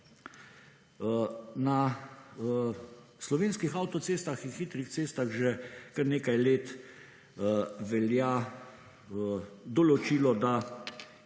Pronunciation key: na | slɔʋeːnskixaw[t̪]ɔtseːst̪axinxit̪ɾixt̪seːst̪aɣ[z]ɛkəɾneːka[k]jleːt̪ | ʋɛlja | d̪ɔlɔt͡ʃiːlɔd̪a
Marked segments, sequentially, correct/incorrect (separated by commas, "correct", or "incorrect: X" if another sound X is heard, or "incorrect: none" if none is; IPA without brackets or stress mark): correct, incorrect: ʒ, incorrect: none